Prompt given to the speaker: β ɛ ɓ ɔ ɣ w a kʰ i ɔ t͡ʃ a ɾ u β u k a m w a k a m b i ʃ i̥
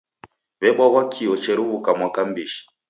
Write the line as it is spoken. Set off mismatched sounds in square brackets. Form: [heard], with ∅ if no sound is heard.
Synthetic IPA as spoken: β ɛ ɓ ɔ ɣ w a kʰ i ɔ t͡ʃ [ɛ] ɾ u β u k a m w a k a m b i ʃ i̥